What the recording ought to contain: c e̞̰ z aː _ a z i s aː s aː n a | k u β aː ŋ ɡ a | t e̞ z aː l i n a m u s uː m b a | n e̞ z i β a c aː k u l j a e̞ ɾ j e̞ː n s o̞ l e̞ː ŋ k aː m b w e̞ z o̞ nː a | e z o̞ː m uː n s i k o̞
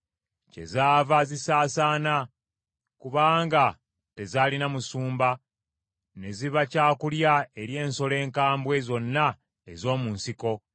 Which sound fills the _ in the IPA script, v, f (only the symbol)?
v